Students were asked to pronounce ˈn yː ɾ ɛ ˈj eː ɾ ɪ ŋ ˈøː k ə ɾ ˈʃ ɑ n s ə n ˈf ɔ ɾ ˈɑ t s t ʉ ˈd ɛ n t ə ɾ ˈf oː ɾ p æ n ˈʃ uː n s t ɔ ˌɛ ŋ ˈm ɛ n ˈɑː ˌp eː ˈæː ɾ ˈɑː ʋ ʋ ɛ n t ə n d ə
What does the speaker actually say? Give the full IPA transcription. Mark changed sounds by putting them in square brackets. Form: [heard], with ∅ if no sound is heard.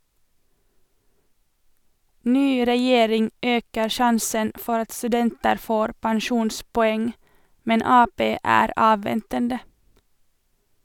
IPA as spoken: ˈn yː ɾ ɛ ˈj eː ɾ ɪ ŋ ˈøː k ə ɾ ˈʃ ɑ n s ə n ˈf ɔ ɾ ˈɑ t s t ʉ ˈd ɛ n t ə ɾ ˈf oː ɾ p æ n ˈʃ uː n s [p] ɔ ˌɛ ŋ ˈm ɛ n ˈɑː ˌp eː ˈæː ɾ ˈɑː ʋ ʋ ɛ n t ə n d ə